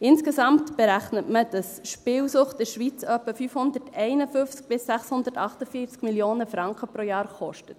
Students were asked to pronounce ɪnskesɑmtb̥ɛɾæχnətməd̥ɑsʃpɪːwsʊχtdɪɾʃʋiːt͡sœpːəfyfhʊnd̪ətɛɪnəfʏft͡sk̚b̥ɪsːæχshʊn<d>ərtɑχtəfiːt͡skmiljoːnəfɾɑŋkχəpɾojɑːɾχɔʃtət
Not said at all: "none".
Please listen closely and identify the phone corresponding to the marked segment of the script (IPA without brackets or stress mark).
d